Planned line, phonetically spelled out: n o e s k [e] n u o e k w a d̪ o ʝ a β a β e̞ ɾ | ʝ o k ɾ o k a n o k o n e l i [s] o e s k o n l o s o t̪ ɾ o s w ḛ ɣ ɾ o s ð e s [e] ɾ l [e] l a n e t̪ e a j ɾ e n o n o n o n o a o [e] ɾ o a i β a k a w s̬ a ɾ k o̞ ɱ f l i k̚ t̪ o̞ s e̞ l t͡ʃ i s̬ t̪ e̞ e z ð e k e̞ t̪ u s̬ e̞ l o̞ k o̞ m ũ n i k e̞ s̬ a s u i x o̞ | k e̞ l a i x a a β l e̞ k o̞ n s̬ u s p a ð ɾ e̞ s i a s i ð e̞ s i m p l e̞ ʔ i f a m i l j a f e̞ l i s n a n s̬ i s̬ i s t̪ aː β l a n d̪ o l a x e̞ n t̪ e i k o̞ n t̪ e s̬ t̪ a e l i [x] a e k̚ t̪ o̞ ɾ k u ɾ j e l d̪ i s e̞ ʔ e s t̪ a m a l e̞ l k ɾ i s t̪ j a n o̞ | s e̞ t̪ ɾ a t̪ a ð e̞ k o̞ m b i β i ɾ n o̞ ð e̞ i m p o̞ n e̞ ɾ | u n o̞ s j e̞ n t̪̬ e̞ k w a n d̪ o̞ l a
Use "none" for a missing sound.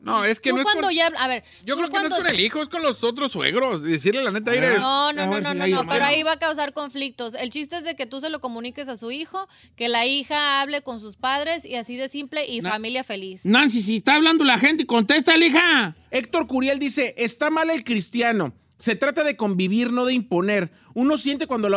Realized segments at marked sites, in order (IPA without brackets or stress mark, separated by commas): e, x, i, e, e, x